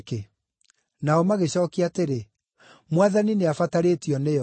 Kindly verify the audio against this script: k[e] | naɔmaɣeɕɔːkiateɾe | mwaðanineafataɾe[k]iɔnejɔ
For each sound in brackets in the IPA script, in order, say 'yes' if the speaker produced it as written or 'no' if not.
yes, no

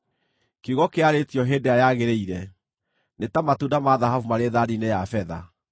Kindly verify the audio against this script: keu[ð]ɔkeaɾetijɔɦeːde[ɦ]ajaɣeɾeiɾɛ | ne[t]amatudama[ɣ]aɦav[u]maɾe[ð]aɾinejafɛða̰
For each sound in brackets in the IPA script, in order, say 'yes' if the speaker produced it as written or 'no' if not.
no, no, yes, no, yes, yes

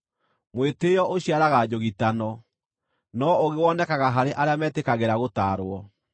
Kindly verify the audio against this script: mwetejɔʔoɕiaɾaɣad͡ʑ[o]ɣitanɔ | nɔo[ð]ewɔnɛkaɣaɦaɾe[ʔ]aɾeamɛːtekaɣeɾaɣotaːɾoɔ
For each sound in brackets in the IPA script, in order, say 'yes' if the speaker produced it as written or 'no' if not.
yes, no, yes

